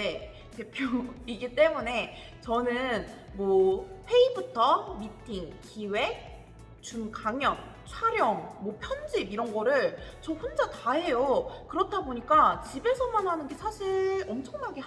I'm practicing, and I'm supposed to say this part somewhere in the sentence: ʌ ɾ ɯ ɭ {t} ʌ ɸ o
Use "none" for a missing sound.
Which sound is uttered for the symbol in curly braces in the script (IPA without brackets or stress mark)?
t͡ɕ